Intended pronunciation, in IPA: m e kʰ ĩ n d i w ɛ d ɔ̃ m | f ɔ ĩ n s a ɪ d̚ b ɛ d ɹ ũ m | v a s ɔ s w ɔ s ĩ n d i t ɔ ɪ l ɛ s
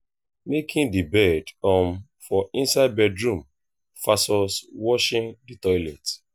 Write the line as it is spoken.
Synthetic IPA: m e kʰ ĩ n d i b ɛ d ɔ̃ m | f ɔ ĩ n s a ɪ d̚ b ɛ d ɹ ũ m | f a s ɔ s w ɔ ʃ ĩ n d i t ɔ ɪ l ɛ t